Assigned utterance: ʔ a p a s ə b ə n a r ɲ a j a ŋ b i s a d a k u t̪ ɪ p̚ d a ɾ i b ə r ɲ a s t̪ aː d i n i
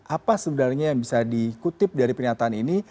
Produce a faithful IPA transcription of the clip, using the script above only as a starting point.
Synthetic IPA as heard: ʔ a p a s ə b ə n a r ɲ a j a ŋ b i s a d i k u t̪ ɪ p̚ d a ɾ i p ə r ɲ a t̪ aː n i n i